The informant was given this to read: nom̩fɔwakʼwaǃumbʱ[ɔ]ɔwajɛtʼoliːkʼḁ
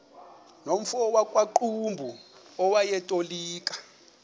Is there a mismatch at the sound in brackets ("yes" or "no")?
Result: yes